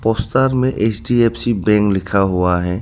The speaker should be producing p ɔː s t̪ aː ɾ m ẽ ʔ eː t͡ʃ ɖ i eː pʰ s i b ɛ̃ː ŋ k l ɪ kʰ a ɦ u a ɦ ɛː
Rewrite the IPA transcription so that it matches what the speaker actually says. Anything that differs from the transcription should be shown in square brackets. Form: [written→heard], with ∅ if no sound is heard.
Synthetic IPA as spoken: p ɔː s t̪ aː ɾ m ẽ ʔ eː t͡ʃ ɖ i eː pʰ s i b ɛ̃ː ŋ k l ɪ kʰ a ɦ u a ɦ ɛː